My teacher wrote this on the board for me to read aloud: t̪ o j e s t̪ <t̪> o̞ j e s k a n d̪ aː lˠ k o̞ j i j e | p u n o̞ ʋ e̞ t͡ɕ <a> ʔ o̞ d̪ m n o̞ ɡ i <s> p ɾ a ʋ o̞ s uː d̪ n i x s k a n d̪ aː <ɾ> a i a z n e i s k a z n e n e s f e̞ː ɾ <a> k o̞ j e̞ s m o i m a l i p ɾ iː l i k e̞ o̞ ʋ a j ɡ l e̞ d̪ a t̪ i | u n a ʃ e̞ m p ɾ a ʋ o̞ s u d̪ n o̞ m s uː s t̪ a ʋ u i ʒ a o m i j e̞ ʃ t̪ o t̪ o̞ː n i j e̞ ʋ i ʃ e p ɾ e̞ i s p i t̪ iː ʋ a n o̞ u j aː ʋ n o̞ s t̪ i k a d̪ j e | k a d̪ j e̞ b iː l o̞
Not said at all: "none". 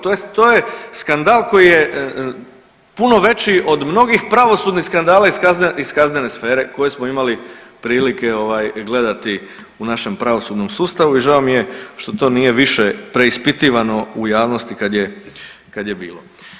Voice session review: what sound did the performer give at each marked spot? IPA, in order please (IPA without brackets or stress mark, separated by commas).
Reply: t̪, i, x, l, e